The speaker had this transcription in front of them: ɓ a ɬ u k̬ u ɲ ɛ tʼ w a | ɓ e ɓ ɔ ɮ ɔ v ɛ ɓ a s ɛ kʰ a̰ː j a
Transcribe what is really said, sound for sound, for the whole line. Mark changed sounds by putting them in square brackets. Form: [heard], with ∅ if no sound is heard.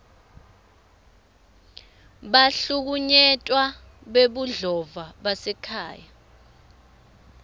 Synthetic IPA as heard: ɓ a ɬ u k̬ u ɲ ɛ tʼ w a | ɓ e ɓ [u] ɮ ɔ v [a] ɓ a s ɛ kʰ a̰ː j a